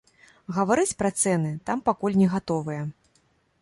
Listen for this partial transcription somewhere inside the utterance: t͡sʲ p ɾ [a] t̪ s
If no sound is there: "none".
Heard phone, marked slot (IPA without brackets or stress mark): ɐ